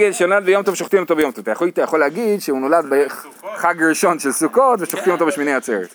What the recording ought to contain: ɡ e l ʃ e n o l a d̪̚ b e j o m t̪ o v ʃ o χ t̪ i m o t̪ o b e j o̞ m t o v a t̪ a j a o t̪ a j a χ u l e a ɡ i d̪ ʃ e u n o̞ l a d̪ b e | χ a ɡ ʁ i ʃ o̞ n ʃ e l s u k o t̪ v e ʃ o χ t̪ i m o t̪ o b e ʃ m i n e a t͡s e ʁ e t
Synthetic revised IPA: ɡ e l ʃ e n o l a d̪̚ b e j o m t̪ o v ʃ o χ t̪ i m o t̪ o b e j o̞ m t o v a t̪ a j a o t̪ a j a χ o l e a ɡ i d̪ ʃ e u n o̞ l a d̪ b e | χ a ɡ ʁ i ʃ o̞ n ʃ e l s u k o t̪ v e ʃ o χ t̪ i m o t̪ o b e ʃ m i n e a t͡s e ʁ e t